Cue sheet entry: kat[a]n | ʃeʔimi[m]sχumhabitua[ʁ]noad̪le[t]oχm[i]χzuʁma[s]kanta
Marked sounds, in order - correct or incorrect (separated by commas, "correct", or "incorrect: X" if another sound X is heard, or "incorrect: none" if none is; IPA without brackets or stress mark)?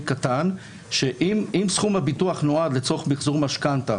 correct, correct, incorrect: χ, incorrect: t͡s, correct, incorrect: ʃ